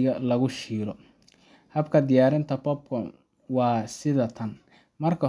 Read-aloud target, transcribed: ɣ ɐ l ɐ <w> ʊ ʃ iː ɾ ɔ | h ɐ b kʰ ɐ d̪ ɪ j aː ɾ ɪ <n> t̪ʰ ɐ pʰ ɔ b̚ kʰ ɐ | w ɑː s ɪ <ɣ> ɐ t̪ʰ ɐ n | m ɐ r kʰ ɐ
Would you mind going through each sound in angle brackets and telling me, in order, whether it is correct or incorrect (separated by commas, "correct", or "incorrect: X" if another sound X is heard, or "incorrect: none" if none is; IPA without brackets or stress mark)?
incorrect: ɣ, correct, incorrect: ð